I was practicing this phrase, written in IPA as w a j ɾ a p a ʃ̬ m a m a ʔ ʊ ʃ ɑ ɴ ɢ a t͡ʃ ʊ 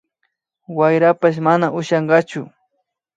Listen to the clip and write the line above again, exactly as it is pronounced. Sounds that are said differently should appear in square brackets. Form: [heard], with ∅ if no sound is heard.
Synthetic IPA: w a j ɾ a p a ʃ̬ m a [n] a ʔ ʊ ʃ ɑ ɴ ɢ [ɑ] t͡ʃ ʊ